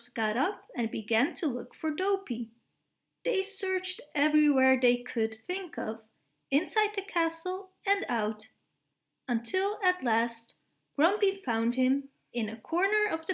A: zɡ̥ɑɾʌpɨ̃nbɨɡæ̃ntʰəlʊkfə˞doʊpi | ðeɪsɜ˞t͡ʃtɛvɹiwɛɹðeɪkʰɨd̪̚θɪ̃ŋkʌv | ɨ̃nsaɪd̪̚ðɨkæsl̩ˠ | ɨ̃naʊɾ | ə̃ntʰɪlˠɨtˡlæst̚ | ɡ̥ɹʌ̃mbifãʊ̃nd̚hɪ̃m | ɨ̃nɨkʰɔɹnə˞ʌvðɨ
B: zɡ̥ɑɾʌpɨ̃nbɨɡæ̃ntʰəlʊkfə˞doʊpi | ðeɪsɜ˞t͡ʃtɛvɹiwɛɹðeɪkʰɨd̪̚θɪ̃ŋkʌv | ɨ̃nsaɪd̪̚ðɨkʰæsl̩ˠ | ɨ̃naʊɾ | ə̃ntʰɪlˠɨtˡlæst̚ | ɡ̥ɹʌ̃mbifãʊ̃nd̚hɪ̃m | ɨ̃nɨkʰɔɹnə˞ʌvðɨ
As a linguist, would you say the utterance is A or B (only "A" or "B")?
B